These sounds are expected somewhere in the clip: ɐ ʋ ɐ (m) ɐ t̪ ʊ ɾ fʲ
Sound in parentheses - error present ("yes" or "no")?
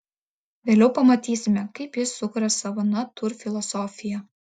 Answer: yes